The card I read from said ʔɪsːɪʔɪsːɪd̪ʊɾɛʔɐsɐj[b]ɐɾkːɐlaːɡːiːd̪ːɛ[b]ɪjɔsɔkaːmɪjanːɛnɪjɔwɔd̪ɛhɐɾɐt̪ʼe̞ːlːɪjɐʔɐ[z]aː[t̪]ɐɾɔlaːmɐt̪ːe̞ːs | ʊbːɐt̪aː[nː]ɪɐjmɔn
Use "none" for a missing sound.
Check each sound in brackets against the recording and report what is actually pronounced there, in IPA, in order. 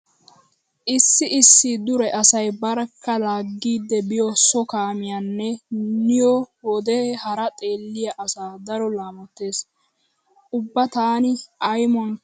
b, b, s, d̪, n

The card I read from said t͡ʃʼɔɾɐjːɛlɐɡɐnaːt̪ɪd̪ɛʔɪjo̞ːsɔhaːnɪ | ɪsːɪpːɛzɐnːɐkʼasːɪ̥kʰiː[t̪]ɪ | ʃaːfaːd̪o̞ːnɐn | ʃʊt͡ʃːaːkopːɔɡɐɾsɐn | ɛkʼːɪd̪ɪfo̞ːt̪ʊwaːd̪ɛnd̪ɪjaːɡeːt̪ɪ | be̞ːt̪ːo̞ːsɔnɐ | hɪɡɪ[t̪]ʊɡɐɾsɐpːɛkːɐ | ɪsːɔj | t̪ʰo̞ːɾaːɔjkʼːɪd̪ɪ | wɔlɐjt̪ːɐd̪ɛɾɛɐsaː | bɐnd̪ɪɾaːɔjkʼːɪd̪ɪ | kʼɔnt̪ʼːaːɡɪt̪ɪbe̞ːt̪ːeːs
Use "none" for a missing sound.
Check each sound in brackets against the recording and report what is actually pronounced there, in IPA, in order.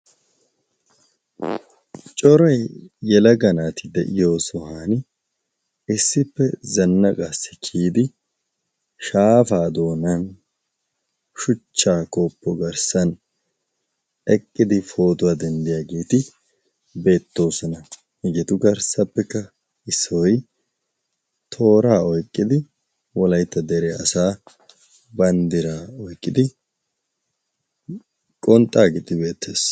d̪, t̪

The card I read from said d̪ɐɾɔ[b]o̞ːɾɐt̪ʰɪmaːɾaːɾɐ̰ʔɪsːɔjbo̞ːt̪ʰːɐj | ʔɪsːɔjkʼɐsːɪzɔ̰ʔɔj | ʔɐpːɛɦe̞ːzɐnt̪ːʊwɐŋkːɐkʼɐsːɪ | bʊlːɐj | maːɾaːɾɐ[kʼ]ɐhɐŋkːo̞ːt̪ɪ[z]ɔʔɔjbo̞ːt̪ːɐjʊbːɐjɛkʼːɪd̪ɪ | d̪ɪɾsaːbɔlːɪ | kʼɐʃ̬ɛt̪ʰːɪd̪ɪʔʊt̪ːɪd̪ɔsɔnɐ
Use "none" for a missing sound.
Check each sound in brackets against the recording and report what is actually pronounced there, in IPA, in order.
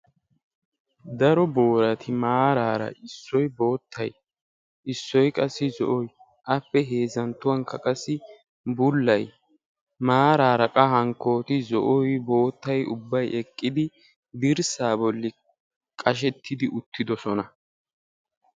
b, kʼ, z

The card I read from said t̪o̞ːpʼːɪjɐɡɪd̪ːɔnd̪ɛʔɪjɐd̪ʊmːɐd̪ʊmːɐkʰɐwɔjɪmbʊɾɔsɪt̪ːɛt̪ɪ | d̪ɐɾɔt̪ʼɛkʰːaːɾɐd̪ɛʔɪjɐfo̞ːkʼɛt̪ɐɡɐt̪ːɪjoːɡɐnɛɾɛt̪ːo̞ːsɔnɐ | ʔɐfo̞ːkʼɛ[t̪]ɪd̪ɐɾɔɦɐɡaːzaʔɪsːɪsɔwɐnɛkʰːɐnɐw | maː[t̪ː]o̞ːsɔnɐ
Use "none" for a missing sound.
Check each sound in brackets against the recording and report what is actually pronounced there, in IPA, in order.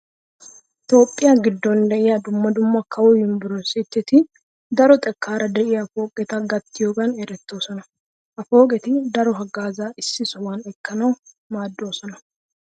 t̪, d̪ː

